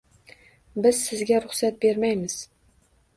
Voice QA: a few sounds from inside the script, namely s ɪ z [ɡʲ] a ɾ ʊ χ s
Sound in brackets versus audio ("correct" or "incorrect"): correct